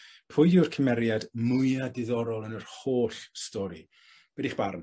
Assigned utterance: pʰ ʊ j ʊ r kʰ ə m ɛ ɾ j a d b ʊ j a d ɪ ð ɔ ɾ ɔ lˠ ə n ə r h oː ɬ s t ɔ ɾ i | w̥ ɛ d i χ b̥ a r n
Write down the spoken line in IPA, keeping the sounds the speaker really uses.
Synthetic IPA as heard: pʰ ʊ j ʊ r kʰ ə m ɛ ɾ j a d m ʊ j a d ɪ ð ɔ ɾ ɔ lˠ ə n ə r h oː ɬ s t ɔ ɾ i | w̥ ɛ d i χ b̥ a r n